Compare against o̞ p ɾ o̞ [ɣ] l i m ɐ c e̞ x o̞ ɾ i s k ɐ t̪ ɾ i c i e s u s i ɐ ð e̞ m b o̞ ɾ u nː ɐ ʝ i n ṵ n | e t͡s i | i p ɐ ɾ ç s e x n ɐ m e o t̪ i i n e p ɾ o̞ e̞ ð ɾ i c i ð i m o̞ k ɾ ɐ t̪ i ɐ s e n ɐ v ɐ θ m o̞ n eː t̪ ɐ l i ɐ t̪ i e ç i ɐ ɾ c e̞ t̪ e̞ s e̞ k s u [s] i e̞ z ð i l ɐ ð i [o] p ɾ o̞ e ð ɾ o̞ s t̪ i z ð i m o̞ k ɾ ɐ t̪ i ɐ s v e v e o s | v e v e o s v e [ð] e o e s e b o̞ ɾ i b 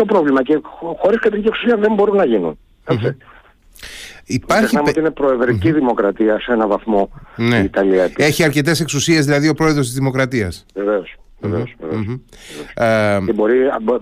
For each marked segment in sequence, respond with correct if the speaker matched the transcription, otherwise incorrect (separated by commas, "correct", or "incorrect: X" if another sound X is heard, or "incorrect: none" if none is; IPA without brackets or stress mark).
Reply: incorrect: v, correct, correct, incorrect: v